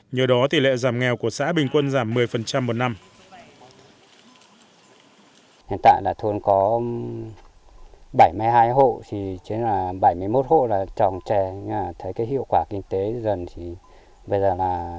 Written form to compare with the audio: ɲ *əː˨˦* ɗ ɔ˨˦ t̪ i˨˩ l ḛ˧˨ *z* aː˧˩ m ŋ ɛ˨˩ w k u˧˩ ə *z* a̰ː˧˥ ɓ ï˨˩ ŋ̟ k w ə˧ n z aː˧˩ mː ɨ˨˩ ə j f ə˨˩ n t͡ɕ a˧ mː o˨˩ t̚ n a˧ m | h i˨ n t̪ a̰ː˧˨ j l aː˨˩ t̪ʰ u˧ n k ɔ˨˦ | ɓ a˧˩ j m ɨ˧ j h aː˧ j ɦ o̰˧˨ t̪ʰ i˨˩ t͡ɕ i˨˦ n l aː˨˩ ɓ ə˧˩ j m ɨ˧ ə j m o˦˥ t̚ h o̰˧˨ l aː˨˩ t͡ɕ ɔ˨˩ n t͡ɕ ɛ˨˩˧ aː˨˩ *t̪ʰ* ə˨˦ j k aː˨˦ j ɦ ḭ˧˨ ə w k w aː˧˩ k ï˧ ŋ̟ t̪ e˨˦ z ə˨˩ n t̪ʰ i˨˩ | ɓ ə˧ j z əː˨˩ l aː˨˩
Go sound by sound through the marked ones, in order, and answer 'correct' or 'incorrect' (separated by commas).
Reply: incorrect, correct, incorrect, correct